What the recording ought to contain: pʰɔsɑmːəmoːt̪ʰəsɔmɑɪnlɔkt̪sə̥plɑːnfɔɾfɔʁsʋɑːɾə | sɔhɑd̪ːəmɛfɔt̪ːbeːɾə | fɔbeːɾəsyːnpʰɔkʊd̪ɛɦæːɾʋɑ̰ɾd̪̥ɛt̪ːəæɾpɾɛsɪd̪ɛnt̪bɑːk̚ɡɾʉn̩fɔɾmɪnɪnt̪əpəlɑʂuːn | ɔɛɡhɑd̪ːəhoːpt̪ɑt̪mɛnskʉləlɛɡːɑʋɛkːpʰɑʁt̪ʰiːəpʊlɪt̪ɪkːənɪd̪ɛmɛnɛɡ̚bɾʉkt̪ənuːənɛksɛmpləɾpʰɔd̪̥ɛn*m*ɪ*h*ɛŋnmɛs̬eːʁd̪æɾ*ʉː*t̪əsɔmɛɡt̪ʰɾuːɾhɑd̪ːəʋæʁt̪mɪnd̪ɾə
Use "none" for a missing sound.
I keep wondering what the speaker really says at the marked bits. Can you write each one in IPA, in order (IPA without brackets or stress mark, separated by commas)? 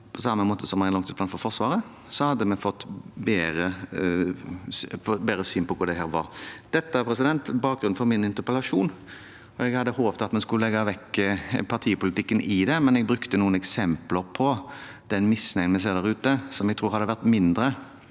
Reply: m, s, ʉː